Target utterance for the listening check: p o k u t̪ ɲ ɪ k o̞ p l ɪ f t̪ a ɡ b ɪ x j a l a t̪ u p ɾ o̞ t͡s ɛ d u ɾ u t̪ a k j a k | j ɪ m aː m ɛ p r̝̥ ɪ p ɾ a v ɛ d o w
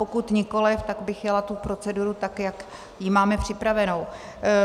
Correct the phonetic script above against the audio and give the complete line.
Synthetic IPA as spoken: p o k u t̪ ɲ ɪ k o̞ l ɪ f t̪ a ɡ b ɪ x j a l a t̪ u p ɾ o̞ t͡s ɛ d u ɾ u t̪ a k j a k | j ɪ m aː m ɛ p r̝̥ ɪ p ɾ a v ɛ n o w